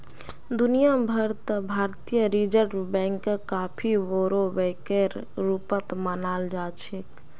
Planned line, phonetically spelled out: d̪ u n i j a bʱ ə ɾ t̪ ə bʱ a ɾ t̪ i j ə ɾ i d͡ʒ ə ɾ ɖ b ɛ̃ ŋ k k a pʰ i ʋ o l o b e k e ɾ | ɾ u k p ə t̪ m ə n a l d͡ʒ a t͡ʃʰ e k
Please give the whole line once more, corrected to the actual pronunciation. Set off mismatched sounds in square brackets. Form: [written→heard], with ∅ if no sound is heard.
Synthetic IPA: d̪ u n i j a bʱ ə ɾ t̪ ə bʱ a ɾ t̪ i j ə ɾ i d͡ʒ ə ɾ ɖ b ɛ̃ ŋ k k a pʰ i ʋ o [l→ɾ] o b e k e ɾ | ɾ u [k→∅] p ə t̪ m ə n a l d͡ʒ a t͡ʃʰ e k

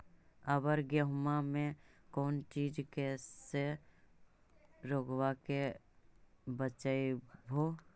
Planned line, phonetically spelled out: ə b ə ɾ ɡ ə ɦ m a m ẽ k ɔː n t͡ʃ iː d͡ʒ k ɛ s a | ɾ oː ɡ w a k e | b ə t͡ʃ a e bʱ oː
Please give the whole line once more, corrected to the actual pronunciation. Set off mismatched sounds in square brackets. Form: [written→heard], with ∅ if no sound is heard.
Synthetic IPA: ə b ə ɾ ɡ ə ɦ m a m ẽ k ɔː n t͡ʃ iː d͡ʒ k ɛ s [a→e] | ɾ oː ɡ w a k e | b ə t͡ʃ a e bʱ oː

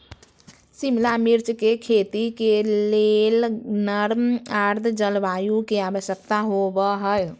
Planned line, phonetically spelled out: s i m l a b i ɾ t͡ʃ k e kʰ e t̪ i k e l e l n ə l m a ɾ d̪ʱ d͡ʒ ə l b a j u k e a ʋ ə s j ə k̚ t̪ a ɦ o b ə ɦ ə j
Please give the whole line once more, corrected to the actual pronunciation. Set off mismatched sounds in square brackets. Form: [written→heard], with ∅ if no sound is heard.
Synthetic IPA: s i m l a [b→m] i ɾ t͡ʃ k e kʰ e t̪ i k e l e l n ə [l→ɾ] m a ɾ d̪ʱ d͡ʒ ə l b a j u k e a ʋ ə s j ə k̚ t̪ a ɦ o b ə ɦ ə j

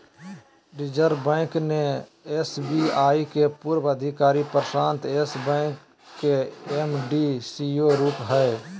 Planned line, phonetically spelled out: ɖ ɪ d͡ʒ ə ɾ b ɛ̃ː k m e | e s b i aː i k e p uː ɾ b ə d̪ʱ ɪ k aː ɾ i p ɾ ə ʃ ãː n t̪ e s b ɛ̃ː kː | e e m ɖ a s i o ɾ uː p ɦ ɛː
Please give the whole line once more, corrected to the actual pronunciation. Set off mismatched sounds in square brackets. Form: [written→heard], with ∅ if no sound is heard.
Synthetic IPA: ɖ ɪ d͡ʒ ə ɾ b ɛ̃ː k [m→n] e | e s b i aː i k e p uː ɾ b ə d̪ʱ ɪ k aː ɾ i p ɾ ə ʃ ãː n t̪ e s b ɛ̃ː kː | e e m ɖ [a→i] s i o ɾ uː p ɦ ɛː

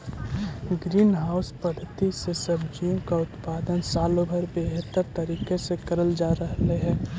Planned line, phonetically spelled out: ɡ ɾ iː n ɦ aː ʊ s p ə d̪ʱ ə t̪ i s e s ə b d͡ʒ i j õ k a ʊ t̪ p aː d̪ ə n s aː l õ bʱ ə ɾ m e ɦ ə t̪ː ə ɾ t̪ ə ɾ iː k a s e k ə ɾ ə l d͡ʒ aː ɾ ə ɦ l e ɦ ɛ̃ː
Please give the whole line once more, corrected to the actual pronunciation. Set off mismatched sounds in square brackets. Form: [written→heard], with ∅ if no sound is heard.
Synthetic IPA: ɡ ɾ iː n ɦ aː ʊ s p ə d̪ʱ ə t̪ i s e s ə b d͡ʒ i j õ k a ʊ t̪ p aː d̪ ə n s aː l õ bʱ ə ɾ [m→b] e ɦ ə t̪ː ə ɾ t̪ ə ɾ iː k [a→e] s e k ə ɾ ə l d͡ʒ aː ɾ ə ɦ l e ɦ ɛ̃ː

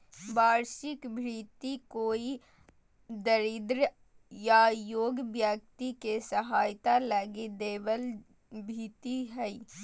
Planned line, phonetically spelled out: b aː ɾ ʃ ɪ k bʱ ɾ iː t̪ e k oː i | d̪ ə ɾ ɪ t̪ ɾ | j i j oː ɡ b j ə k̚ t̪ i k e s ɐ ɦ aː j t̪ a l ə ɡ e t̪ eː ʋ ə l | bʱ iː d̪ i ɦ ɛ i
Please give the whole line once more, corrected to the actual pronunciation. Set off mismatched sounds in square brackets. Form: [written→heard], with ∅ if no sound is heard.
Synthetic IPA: b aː ɾ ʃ ɪ k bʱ ɾ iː t̪ [e→i] k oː i | d̪ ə ɾ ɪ [t̪→d̪] ɾ | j [i→a] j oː ɡ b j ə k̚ t̪ i k e s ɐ ɦ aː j t̪ a l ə ɡ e [t̪→d̪] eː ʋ ə l | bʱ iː [d̪→t̪] i ɦ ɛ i

